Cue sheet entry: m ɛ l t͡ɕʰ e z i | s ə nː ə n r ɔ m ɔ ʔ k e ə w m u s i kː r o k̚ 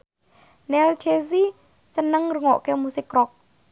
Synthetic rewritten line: n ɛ l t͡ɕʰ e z i | s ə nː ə ŋ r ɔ ŋ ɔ ʔ k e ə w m u s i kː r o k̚